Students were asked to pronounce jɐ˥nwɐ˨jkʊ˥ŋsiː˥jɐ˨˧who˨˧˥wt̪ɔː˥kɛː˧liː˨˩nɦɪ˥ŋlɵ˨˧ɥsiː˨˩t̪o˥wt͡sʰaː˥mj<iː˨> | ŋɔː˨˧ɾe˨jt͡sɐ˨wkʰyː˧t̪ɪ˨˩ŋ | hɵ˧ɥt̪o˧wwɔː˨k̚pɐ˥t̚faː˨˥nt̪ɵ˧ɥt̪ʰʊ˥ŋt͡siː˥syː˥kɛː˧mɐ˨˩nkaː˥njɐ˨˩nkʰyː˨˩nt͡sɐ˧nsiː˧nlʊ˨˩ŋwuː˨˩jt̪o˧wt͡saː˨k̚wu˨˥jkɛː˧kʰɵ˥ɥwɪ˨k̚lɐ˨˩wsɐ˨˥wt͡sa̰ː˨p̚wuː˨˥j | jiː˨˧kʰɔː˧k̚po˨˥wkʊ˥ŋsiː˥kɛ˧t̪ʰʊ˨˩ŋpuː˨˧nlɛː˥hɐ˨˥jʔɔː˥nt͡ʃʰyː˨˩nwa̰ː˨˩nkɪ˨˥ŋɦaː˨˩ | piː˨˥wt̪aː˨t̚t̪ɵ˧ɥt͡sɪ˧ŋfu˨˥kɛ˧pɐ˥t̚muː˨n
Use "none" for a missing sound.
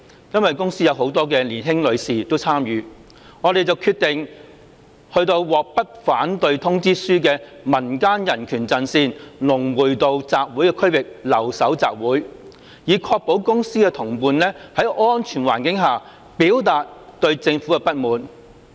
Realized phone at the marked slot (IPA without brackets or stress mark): yː˨